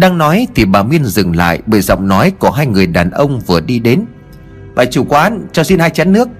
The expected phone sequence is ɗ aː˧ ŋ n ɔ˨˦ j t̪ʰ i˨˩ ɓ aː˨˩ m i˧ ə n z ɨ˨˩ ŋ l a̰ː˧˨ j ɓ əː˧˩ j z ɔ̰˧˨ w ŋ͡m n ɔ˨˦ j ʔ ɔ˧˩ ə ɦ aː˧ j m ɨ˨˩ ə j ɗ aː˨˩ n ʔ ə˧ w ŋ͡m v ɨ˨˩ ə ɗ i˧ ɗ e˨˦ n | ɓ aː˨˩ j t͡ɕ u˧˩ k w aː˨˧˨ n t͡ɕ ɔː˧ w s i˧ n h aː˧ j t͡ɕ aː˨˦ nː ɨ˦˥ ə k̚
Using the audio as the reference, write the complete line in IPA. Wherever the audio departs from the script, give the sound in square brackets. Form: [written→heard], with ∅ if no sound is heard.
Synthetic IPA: ɗ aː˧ ŋ n ɔ˨˦ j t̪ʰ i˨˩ ɓ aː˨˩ m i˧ ə n z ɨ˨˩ ŋ l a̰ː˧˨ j ɓ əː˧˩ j z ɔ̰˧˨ w ŋ͡m n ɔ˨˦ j [ʔ→k] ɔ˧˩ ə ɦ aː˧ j [m→ŋ] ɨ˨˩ ə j ɗ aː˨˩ n ʔ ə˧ w ŋ͡m v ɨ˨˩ ə ɗ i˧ ɗ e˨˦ n | ɓ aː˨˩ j t͡ɕ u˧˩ k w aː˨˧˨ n t͡ɕ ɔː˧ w s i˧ n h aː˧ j t͡ɕ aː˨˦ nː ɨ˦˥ ə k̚